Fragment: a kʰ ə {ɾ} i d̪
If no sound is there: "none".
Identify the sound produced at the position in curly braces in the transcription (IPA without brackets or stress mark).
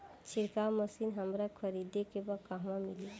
ɾ